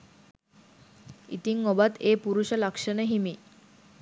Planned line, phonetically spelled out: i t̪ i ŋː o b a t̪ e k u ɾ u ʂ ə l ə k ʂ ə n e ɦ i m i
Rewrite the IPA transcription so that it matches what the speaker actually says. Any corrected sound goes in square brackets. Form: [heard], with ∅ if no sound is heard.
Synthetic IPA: i t̪ i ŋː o b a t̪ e [p] u ɾ u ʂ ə l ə k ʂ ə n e ɦ i m i